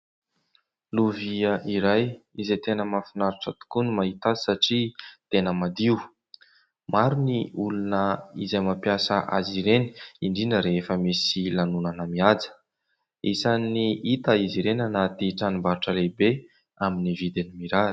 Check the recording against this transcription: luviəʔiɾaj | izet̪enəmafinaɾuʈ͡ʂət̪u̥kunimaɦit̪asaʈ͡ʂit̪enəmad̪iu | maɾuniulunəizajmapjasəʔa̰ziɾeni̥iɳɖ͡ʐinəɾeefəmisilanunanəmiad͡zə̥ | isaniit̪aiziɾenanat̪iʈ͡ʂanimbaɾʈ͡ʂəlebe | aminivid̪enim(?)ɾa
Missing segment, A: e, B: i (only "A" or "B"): B